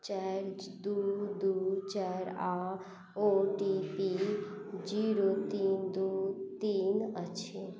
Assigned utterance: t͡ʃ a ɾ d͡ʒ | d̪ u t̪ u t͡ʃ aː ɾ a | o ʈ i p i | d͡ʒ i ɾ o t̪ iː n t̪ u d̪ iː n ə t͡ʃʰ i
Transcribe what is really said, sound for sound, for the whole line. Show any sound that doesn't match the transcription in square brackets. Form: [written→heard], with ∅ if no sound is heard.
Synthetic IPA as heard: t͡ʃ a ɾ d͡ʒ | d̪ u [t̪→d̪] u t͡ʃ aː ɾ a | o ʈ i p i | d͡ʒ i ɾ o t̪ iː n [t̪→d̪] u [d̪→t̪] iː n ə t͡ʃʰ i